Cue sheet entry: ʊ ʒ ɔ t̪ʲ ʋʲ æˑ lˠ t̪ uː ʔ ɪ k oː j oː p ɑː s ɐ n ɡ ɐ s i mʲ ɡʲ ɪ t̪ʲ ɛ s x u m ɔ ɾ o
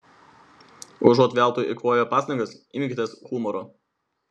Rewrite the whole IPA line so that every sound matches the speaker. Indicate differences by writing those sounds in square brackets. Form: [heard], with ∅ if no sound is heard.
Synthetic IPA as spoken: ʊ ʒ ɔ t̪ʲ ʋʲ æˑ lˠ t̪ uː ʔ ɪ k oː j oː p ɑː s ɐ [ŋ] ɡ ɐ s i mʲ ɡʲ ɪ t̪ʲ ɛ s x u m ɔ ɾ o